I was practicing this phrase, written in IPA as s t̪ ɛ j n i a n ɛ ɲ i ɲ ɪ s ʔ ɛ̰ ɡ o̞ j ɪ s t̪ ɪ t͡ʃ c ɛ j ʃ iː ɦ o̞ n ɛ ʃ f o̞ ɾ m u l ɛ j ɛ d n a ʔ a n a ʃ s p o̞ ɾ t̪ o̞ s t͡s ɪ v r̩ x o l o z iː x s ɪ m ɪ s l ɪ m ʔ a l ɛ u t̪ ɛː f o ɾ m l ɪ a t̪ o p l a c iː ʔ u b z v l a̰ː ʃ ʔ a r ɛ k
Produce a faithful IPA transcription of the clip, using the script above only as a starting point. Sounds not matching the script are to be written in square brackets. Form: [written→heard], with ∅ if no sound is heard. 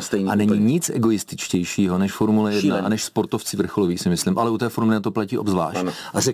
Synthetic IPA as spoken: s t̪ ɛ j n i a n ɛ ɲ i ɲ ɪ [s→t͡s] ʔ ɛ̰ ɡ o̞ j ɪ s t̪ ɪ t͡ʃ c ɛ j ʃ iː ɦ o̞ n ɛ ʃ f o̞ ɾ m u l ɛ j ɛ d n a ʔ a n [a→ɛ] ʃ s p o̞ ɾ t̪ o̞ [s→f] t͡s ɪ v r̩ x o l o [z→v] iː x s ɪ m ɪ s l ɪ m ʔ a l ɛ u t̪ ɛː f o ɾ m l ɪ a t̪ o p l a c iː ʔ [u→o] b z v l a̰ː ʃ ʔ a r ɛ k